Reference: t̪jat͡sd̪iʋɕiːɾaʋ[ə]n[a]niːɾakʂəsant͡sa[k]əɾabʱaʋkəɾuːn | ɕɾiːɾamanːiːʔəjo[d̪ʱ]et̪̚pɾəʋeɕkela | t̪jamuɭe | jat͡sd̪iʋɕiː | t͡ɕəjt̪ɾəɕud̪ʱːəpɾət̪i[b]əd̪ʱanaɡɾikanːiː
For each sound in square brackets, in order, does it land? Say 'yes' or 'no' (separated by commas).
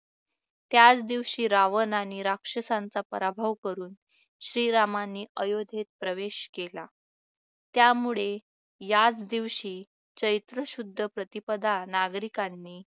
yes, yes, no, yes, no